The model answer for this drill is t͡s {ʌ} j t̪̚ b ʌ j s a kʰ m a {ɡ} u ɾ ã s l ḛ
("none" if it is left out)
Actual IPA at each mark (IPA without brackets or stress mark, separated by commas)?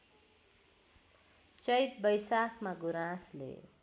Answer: ʌ, ɡ